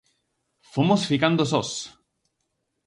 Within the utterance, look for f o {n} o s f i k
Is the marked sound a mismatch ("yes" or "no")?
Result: yes